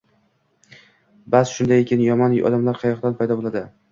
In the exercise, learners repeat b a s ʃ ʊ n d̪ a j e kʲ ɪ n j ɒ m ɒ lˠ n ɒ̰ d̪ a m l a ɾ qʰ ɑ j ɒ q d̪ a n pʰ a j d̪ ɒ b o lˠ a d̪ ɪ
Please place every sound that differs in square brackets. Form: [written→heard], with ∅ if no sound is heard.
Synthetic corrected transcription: b a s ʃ ʊ n d̪ a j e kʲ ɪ n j ɒ m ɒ [lˠ→∅] n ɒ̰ d̪ a m l a ɾ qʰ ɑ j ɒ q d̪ a n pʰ a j d̪ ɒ b o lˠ a d̪ ɪ